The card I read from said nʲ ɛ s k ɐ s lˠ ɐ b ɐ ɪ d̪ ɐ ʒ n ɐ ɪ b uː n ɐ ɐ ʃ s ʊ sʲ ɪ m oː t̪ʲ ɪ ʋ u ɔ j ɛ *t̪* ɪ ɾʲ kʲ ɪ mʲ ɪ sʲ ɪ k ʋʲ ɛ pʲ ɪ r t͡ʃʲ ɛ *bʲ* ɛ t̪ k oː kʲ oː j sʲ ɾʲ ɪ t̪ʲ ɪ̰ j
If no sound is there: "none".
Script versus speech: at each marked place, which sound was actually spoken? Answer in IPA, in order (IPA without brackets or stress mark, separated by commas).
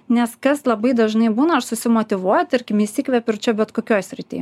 t̪, bʲ